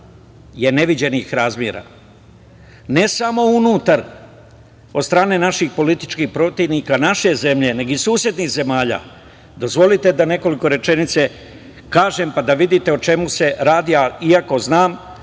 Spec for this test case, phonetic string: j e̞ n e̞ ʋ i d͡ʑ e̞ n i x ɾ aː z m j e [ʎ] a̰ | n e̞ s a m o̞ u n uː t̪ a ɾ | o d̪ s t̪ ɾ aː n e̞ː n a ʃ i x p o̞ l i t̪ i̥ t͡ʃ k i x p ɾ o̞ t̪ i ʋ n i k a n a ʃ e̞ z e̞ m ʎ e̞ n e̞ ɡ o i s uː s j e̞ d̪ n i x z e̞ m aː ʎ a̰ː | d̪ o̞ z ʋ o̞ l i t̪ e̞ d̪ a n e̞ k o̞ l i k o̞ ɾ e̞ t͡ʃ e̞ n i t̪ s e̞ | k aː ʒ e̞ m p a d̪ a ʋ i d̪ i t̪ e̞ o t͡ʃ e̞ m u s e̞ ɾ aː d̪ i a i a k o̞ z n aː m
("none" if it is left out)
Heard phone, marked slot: ɾ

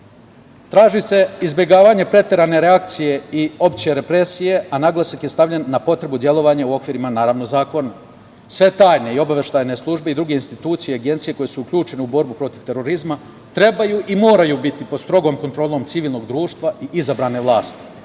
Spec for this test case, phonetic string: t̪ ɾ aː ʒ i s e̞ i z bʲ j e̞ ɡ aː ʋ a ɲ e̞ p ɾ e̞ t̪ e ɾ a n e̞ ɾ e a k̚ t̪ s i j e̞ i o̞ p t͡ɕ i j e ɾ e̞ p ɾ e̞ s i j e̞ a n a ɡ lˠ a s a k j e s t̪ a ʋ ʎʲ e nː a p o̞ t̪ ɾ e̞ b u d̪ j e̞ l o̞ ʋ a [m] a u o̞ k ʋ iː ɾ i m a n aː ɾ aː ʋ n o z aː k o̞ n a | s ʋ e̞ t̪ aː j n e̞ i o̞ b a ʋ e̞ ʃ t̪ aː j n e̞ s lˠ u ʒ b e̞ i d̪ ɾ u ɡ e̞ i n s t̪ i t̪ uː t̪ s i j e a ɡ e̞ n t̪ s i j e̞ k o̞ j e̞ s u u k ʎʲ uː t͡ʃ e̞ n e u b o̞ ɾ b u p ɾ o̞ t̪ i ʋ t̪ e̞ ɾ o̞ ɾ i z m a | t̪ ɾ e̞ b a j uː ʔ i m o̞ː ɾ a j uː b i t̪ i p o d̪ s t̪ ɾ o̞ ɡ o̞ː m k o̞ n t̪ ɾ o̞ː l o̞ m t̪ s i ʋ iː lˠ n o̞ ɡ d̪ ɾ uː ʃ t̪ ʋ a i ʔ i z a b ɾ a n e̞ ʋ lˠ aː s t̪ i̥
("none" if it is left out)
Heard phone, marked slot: ɲ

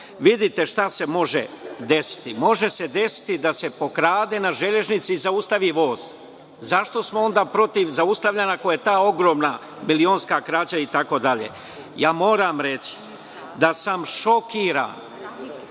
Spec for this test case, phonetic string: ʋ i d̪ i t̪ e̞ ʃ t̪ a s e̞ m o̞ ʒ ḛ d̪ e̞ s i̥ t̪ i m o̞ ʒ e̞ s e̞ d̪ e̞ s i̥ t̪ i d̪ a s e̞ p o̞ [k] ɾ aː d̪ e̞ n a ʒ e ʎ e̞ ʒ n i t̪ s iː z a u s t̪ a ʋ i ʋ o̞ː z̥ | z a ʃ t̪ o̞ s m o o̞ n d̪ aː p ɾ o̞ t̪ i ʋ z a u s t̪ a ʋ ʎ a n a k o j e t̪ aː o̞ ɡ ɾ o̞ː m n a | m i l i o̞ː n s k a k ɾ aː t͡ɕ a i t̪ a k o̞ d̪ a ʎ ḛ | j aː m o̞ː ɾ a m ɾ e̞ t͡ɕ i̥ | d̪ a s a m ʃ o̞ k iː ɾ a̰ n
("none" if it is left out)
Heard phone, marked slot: k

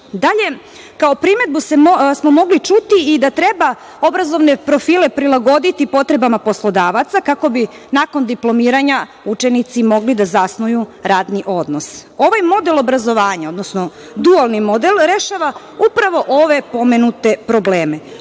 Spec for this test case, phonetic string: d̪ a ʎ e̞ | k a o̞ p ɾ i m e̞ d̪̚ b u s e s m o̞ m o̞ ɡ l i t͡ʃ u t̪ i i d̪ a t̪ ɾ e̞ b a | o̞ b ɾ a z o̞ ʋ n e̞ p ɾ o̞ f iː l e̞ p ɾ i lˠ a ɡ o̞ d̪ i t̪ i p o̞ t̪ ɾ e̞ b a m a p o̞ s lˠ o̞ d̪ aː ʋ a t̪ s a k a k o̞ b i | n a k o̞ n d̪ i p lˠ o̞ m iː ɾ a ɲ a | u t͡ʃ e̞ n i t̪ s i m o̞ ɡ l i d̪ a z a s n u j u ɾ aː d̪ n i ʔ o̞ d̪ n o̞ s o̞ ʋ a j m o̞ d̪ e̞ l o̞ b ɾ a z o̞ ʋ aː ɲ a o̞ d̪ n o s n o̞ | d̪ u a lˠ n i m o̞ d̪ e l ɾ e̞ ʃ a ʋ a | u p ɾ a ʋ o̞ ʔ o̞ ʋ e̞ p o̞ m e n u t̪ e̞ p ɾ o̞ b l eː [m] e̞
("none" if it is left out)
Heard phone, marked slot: m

